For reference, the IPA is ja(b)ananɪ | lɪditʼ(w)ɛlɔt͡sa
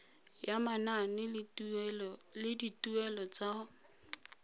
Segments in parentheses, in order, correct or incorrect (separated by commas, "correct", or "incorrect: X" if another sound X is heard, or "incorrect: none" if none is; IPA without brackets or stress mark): incorrect: m, incorrect: u